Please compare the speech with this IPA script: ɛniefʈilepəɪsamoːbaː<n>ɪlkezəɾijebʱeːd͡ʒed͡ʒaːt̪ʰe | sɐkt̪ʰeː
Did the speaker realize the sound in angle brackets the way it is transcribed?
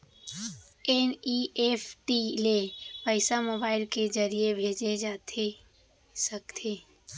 no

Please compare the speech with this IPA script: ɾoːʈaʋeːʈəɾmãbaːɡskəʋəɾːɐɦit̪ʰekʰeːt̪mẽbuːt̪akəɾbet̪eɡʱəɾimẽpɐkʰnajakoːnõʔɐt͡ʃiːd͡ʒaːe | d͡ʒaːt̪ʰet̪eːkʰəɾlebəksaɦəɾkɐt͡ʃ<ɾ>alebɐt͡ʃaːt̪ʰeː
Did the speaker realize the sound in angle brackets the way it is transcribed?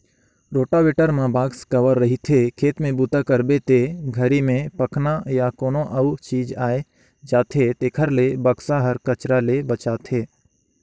yes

